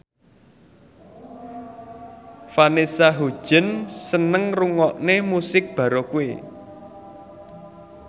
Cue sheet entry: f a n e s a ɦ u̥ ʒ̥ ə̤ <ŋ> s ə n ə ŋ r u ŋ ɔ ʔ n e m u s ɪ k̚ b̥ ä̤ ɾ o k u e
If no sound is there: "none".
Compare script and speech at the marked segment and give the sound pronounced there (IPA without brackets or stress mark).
n